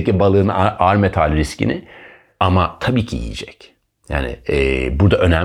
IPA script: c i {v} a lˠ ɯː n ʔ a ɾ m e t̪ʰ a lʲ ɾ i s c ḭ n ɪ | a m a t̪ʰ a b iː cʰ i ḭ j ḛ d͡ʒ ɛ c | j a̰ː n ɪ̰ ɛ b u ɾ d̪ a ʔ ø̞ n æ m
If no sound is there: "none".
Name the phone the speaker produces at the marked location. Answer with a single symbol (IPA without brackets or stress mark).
b